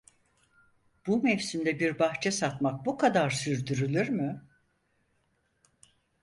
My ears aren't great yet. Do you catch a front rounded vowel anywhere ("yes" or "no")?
yes